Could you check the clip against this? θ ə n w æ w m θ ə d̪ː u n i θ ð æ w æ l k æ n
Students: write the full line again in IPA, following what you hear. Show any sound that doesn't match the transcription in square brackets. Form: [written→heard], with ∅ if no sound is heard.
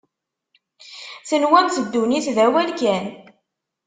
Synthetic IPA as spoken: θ ə n w æ [w→∅] m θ ə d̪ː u n i θ ð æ w æ l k æ n